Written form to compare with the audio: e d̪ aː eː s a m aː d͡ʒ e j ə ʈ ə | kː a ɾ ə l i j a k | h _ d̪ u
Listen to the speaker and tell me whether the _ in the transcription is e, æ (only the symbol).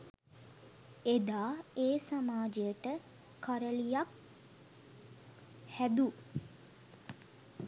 æ